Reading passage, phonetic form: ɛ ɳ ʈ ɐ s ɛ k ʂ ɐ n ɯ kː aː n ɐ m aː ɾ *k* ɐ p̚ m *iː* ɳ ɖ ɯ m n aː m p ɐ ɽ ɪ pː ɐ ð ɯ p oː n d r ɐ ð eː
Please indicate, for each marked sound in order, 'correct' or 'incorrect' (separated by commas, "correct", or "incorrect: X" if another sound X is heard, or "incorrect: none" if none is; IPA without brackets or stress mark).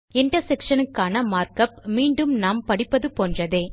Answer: correct, correct